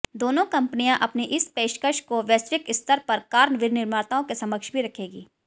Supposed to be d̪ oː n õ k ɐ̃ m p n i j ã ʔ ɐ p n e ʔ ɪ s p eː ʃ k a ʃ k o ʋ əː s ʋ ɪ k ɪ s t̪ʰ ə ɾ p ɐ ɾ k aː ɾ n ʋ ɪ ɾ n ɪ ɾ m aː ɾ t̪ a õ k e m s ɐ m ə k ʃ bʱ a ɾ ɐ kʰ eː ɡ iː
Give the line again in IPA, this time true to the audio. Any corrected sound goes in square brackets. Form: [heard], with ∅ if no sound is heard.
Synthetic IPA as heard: d̪ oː n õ k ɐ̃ m p n i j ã ʔ ɐ p n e ʔ ɪ s p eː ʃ k [ə] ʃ k o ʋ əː s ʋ ɪ k ɪ s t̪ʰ ə ɾ p ɐ ɾ k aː ɾ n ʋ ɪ ɾ n ɪ ɾ m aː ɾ t̪ a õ k e [∅] s ɐ m ə k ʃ bʱ [i] ɾ ɐ kʰ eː ɡ iː